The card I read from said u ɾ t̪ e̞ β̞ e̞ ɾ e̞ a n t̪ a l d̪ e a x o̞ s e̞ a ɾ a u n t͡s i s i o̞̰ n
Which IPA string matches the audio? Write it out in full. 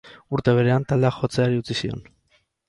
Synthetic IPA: u ɾ t̪ e̞ β̞ e̞ ɾ e̞ a n t̪ a l d̪ e a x o̞ t͡s e̞ a ɾ i u t͡s i s i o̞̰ n